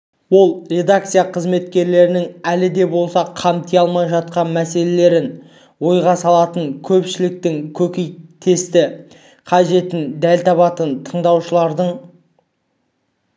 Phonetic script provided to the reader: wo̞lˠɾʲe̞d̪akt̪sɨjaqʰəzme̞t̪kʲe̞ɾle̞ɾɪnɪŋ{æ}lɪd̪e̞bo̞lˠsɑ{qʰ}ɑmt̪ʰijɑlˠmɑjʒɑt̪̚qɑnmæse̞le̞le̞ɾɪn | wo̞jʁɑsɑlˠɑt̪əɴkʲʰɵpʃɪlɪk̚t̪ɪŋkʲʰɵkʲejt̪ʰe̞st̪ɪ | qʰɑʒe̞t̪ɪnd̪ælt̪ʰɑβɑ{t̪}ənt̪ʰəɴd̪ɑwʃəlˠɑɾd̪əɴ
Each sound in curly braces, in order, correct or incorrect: correct, correct, correct

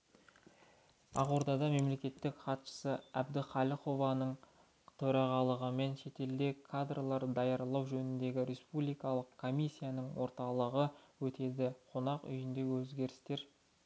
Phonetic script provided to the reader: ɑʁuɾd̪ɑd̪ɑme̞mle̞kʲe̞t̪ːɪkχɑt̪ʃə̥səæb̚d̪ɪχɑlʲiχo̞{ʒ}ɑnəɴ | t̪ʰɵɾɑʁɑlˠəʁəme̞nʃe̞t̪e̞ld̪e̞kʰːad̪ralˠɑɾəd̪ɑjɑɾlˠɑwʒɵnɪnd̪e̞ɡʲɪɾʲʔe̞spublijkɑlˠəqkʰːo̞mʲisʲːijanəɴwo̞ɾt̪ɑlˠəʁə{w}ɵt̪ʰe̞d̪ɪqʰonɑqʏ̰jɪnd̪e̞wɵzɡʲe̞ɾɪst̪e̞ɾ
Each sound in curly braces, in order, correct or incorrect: incorrect: v, correct

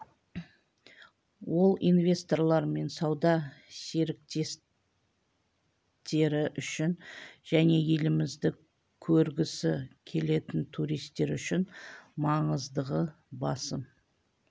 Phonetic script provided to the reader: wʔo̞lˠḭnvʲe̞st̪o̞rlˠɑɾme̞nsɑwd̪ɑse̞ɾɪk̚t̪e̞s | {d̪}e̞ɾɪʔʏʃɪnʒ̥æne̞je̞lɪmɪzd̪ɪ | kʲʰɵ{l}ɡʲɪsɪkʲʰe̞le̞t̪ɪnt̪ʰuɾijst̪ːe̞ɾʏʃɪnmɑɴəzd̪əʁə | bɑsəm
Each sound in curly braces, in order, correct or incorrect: incorrect: t̪, incorrect: ɾ

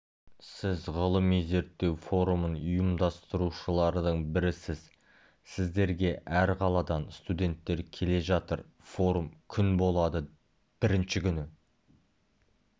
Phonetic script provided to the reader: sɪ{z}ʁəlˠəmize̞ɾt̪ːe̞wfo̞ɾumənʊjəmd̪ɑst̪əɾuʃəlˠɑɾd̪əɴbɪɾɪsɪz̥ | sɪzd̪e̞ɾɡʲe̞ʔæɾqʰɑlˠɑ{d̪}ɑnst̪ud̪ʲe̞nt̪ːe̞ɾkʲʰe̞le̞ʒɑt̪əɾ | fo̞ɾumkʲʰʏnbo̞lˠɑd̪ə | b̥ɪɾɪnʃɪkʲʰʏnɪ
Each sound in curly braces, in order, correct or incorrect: correct, correct

